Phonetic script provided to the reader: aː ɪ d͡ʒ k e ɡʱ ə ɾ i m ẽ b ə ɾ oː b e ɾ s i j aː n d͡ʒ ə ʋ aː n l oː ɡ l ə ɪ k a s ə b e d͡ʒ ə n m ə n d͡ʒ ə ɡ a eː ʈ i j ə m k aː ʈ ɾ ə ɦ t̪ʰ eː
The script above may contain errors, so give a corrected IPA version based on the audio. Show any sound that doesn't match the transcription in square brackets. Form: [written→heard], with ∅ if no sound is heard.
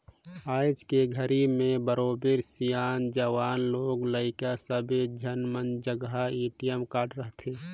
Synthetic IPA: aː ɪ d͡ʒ k e ɡʱ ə ɾ i m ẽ b ə ɾ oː b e ɾ s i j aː n d͡ʒ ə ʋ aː n l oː ɡ l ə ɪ k a s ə b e d͡ʒ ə n m ə n d͡ʒ ə ɡ a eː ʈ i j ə m k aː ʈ ɾ ə ɦ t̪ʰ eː